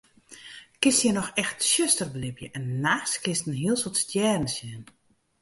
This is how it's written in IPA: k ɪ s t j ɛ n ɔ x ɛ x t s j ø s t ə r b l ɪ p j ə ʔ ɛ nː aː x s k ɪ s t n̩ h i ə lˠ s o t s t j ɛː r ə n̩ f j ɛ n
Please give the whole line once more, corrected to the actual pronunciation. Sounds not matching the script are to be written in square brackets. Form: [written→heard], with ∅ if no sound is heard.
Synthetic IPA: k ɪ s t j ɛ n ɔ x ɛ x t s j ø s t ə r b l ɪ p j ə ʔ ɛ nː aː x s k ɪ s t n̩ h i ə lˠ s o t s t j ɛː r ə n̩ [f→s] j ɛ n